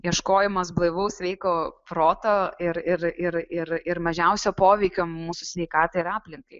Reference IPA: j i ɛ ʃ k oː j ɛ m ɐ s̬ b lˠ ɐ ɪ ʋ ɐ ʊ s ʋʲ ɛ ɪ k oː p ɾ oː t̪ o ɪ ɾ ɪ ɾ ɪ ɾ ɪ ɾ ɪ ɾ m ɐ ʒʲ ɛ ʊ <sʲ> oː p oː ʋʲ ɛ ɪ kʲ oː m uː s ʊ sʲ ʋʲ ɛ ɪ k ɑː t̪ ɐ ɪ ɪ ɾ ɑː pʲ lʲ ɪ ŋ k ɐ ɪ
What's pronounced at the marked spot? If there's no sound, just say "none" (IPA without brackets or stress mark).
sʲ